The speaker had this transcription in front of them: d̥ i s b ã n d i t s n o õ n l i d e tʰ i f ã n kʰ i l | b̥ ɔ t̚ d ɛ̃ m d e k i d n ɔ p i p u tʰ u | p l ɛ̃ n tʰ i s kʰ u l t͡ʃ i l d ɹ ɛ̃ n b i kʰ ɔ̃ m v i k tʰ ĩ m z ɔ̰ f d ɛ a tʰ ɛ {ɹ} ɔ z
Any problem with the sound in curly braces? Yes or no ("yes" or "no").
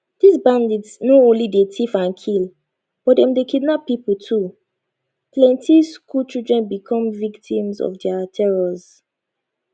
no